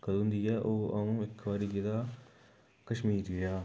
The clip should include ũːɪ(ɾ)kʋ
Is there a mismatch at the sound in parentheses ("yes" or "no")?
yes